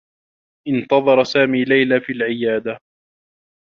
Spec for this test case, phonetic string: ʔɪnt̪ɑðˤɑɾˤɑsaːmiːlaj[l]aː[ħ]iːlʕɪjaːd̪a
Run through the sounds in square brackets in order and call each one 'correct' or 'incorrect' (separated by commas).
correct, incorrect